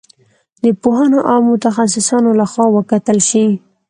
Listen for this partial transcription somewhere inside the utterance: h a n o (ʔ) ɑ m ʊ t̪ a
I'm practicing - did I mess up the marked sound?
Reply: no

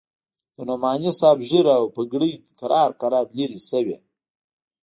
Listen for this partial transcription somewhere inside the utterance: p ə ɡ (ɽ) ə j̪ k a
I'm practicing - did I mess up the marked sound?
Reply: no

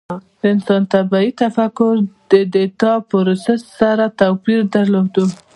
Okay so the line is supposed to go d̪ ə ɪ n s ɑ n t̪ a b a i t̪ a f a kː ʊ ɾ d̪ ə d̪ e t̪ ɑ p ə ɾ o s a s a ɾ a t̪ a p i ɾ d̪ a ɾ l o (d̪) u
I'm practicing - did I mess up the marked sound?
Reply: no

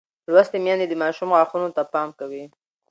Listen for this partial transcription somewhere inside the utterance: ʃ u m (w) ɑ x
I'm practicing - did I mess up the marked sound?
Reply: yes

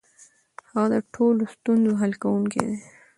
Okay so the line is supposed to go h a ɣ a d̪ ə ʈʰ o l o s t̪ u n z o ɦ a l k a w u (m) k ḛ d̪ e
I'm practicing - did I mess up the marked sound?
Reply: yes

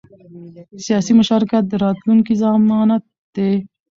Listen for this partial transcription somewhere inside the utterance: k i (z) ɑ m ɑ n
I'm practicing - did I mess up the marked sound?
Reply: no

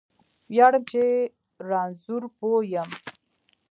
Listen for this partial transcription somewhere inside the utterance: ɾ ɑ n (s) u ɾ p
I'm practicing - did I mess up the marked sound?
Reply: yes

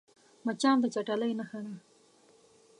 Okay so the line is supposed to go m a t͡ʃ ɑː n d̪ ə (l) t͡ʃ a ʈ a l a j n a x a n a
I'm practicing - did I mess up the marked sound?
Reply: yes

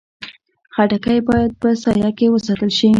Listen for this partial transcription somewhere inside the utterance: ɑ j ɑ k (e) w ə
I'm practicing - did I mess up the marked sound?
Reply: no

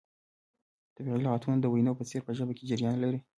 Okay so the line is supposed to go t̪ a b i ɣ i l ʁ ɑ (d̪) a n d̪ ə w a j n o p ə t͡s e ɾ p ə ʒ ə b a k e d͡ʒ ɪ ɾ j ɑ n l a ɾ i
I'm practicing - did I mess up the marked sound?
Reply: yes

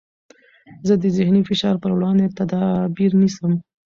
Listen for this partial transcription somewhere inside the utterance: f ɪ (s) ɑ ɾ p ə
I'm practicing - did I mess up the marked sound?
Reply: yes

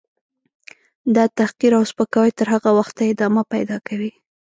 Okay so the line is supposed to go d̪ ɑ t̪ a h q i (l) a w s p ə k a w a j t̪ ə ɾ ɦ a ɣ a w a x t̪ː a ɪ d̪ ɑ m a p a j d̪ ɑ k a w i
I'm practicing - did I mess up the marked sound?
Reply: yes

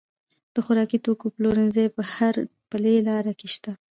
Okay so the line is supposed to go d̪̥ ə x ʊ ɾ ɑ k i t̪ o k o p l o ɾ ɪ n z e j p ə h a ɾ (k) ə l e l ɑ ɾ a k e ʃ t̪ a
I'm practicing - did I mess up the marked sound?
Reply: yes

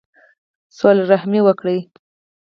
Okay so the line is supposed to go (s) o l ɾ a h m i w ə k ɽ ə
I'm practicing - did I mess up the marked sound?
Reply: no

